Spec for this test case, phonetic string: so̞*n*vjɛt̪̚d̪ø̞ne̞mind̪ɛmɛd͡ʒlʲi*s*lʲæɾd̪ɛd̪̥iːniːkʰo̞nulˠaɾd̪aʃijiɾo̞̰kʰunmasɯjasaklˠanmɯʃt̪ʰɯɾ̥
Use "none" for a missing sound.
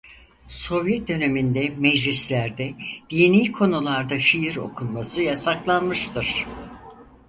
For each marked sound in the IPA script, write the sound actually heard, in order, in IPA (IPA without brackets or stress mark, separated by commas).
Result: none, s